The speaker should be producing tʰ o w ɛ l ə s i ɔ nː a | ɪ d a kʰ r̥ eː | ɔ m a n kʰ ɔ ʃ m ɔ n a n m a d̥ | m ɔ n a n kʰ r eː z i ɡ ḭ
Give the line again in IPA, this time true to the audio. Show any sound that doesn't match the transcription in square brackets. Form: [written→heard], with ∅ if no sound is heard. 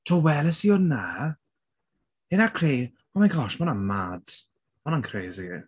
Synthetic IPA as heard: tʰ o w ɛ l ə s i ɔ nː a | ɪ [d→n] a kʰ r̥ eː | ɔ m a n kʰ ɔ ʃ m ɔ n a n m a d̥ | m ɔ n a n kʰ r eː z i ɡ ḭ

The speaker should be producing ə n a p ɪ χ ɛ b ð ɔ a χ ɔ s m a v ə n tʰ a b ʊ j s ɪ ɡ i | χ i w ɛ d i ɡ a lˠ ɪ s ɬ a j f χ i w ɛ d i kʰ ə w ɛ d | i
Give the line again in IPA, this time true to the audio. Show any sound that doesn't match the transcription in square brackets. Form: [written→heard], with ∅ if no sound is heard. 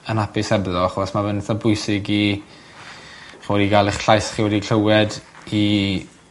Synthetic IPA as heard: ə n a p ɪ [χ→s] ɛ b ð ɔ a χ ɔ s m a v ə n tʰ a b ʊ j s ɪ ɡ i | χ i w ɛ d i ɡ a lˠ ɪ [s→χ] ɬ a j [f→s] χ i w ɛ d i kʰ ə w ɛ d | i

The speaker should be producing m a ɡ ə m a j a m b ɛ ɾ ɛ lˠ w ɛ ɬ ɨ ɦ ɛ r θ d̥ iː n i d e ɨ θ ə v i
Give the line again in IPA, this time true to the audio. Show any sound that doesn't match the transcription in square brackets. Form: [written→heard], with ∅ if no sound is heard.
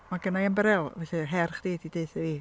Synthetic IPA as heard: m a ɡ ə [m→n] a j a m b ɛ ɾ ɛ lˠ [w→v] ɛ ɬ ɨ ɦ ɛ r [θ→χ] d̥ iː [n→d] i d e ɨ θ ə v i

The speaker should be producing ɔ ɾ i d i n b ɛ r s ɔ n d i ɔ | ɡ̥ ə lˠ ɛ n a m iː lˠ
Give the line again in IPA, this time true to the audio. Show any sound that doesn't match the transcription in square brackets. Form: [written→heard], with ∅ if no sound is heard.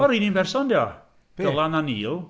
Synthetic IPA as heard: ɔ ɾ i [d→n] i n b ɛ r s ɔ n d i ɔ | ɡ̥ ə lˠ [ɛ→a] n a [m→n] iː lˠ

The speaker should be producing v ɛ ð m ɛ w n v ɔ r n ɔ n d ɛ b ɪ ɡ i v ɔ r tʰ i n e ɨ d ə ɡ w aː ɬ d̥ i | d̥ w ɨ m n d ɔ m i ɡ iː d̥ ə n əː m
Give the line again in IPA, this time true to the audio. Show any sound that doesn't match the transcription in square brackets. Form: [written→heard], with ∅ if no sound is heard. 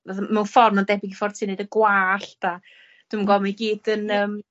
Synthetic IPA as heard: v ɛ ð m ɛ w n [v→f] ɔ r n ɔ n d ɛ b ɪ ɡ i [v→f] ɔ r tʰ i n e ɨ d ə ɡ w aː ɬ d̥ [i→a] | d̥ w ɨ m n [d→ɡ] ɔ m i ɡ iː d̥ ə n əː m

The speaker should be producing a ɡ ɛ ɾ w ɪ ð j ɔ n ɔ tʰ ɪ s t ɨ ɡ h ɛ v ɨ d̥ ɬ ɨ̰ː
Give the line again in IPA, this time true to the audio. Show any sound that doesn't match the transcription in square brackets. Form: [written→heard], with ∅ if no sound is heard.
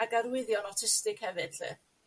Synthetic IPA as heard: a ɡ [ɛ→a] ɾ w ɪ ð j ɔ n ɔ tʰ ɪ s t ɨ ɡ h ɛ v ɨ d̥ ɬ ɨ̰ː

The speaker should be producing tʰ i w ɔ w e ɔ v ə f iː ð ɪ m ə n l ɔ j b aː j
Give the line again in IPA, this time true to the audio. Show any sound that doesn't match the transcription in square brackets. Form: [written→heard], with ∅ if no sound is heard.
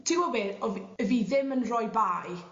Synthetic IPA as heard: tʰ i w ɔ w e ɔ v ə [f→v] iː ð ɪ m ə n [l→r] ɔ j b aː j

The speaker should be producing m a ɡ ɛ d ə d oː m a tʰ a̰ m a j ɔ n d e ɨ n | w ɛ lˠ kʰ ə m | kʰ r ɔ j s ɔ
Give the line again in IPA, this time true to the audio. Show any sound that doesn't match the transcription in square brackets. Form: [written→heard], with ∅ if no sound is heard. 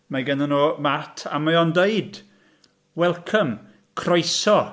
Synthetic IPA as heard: m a ɡ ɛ [d→n] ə [d→n] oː m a tʰ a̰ m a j ɔ n d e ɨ [n→d] | w ɛ lˠ kʰ ə m | kʰ r ɔ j s ɔ

